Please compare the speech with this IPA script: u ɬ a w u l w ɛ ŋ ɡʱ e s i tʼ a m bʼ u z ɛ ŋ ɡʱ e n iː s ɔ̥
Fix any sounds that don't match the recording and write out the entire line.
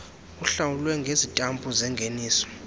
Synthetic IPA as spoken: u ɬ a w u l w ɛ ŋ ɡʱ e z i tʼ a m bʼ u z ɛ ŋ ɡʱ e n iː s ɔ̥